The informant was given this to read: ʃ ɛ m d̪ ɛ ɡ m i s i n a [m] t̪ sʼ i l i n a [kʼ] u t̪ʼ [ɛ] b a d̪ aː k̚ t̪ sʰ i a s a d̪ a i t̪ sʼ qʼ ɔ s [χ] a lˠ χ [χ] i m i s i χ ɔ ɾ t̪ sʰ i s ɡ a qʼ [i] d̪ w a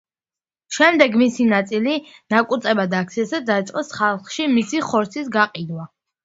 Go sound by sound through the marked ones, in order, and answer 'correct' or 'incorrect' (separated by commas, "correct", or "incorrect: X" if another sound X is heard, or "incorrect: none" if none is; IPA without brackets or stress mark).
incorrect: none, correct, correct, correct, incorrect: ʃ, correct